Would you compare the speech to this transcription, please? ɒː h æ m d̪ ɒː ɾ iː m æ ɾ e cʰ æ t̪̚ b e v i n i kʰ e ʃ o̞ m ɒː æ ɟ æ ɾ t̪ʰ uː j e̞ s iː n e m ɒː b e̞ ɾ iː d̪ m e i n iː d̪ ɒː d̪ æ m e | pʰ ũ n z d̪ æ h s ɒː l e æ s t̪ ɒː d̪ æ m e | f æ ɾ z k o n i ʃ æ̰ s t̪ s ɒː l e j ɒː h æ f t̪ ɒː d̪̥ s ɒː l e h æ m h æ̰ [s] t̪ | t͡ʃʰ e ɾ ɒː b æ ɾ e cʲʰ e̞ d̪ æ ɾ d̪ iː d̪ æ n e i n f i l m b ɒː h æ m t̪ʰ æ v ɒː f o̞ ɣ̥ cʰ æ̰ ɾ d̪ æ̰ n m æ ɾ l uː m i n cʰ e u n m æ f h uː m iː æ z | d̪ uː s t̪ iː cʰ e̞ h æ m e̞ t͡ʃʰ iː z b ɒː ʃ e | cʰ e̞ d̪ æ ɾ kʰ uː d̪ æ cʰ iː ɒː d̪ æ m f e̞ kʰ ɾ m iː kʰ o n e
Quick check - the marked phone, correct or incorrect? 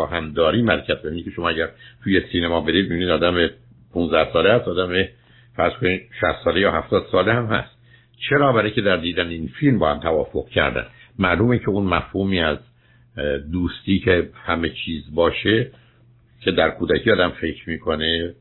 correct